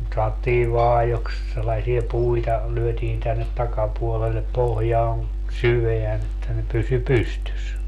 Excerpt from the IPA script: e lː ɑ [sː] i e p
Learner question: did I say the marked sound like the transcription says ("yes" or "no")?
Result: no